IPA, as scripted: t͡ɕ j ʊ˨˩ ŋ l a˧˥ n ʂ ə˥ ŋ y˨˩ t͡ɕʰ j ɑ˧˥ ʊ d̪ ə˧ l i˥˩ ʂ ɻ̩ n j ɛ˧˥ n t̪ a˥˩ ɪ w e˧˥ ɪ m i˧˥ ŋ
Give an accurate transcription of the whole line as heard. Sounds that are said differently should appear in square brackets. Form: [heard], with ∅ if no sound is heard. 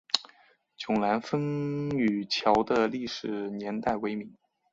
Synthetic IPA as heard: t͡ɕ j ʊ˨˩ ŋ l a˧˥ n [f] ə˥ ŋ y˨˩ t͡ɕʰ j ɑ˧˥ ʊ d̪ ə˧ l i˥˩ ʂ ɻ̩ n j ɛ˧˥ n t̪ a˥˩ ɪ w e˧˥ ɪ m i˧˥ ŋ